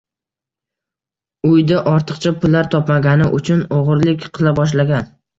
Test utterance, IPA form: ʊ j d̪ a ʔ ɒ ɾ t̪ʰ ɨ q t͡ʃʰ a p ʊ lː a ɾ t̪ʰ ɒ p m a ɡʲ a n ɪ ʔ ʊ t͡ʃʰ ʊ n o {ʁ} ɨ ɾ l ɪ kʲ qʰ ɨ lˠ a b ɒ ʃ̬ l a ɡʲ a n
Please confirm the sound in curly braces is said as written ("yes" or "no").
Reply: yes